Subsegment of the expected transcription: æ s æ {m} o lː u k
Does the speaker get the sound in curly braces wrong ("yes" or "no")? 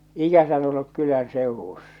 yes